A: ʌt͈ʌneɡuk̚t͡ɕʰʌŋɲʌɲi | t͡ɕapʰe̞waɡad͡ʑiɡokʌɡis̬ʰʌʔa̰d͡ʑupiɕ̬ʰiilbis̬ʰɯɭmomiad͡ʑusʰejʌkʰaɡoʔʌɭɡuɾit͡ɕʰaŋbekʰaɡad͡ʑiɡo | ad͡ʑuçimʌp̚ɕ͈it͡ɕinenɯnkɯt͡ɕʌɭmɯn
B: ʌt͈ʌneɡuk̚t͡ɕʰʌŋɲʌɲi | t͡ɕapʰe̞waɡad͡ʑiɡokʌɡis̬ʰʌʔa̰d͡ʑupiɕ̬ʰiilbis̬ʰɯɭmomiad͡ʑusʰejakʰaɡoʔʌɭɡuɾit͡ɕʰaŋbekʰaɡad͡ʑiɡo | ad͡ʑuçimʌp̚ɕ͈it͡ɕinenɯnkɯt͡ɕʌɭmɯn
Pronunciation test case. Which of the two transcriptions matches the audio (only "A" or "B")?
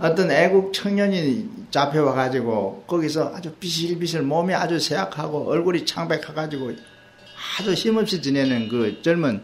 B